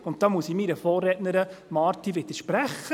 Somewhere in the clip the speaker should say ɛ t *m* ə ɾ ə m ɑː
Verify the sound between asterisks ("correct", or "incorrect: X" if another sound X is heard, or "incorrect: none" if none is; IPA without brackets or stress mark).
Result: incorrect: n